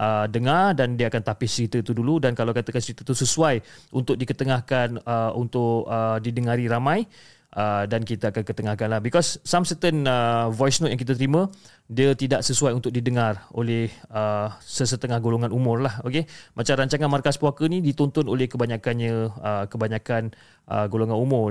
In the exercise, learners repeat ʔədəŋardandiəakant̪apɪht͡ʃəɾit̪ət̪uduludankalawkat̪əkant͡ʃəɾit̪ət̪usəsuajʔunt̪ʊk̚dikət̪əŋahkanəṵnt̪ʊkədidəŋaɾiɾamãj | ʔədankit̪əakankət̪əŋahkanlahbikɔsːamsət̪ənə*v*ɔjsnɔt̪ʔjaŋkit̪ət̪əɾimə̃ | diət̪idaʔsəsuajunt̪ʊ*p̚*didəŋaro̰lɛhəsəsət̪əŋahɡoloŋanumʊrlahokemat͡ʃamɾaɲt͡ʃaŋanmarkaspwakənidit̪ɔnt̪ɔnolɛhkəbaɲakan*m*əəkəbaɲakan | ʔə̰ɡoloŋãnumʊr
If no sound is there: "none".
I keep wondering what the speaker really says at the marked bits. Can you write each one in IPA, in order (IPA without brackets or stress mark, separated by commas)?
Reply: v, k̚, ɲ